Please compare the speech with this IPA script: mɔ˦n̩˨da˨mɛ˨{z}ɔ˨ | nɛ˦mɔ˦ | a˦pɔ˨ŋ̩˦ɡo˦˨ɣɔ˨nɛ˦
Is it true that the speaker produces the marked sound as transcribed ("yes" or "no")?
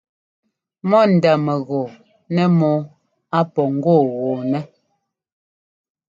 no